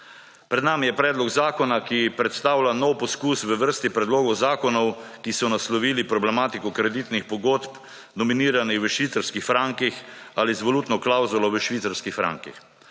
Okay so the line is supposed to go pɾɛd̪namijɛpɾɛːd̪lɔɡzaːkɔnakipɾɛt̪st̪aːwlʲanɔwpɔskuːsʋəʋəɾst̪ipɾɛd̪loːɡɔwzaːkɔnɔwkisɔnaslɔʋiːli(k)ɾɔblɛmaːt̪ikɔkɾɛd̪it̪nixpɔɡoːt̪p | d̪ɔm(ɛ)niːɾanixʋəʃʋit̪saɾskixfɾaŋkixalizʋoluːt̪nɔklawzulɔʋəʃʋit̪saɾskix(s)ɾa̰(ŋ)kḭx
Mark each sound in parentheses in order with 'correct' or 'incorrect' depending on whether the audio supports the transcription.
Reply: incorrect, incorrect, incorrect, correct

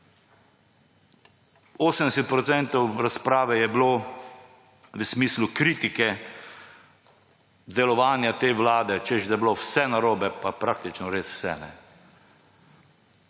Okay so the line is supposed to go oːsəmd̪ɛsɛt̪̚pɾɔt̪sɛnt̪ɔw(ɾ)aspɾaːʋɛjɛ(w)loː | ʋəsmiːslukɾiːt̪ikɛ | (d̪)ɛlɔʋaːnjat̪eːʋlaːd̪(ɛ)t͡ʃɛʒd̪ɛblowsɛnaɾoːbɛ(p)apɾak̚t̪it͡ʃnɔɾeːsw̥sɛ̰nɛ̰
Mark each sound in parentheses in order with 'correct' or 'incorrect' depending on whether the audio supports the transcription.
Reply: correct, incorrect, correct, correct, correct

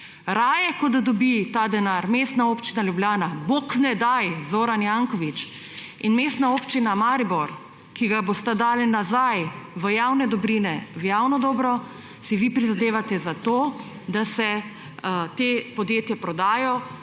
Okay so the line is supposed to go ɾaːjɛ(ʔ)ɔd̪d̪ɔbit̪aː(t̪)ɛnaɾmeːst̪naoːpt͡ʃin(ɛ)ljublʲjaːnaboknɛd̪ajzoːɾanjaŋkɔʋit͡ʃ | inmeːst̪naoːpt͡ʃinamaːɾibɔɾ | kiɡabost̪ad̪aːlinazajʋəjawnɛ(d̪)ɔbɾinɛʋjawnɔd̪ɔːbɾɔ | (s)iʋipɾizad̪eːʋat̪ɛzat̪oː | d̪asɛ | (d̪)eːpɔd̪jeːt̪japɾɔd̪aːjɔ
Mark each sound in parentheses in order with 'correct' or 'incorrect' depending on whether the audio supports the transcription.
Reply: incorrect, incorrect, incorrect, correct, correct, incorrect

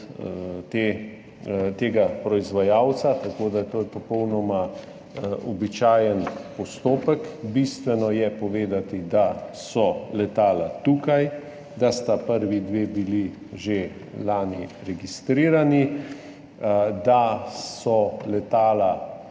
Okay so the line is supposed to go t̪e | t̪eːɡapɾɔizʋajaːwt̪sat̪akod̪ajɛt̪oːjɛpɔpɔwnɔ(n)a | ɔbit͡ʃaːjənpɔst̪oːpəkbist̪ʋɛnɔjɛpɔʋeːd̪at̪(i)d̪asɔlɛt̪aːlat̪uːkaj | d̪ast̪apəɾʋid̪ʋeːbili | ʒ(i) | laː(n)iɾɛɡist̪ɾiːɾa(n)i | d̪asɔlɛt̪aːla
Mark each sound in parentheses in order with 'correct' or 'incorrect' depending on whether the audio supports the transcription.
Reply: incorrect, correct, incorrect, correct, correct

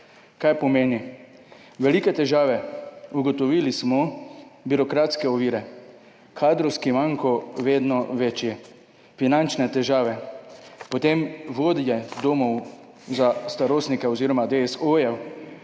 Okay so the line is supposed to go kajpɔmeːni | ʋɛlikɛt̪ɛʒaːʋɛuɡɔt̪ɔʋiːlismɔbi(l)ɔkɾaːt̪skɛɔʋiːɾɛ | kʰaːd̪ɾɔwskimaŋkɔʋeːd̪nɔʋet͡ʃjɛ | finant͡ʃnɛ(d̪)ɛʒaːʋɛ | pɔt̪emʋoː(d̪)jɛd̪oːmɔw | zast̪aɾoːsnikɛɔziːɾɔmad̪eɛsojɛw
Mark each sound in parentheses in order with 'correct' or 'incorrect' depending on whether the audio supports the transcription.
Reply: incorrect, incorrect, correct

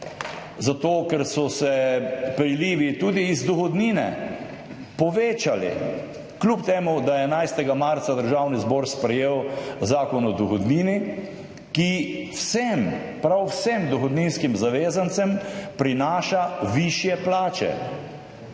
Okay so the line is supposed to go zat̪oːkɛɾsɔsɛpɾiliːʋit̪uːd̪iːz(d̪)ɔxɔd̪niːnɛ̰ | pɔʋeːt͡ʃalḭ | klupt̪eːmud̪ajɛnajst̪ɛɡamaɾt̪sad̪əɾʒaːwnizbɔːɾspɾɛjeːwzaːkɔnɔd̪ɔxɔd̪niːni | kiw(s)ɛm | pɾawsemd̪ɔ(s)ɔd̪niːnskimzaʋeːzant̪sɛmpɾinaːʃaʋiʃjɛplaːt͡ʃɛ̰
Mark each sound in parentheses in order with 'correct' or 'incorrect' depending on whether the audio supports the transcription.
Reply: correct, correct, incorrect

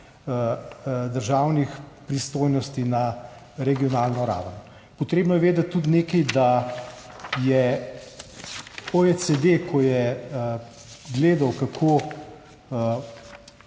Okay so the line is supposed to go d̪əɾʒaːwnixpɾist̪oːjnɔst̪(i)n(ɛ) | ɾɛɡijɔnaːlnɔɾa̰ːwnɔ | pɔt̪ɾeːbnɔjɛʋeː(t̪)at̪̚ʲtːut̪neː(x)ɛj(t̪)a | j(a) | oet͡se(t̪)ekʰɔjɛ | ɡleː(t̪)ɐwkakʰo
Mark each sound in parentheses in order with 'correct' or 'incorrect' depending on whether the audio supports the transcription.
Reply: correct, incorrect, incorrect, incorrect, incorrect, incorrect, incorrect, incorrect

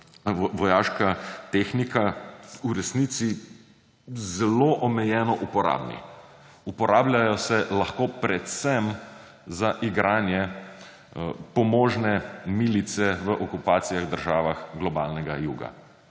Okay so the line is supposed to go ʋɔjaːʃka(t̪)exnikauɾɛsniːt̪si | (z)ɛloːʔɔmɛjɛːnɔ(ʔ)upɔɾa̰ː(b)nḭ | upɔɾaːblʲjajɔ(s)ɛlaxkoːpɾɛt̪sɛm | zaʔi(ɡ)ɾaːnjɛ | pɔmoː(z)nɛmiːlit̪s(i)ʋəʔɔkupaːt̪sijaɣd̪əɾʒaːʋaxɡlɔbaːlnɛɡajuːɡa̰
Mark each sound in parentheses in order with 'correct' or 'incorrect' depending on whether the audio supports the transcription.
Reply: correct, correct, correct, correct, correct, correct, incorrect, incorrect

